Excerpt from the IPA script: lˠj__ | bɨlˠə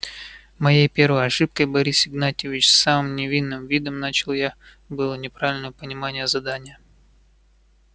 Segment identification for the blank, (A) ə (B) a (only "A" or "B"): B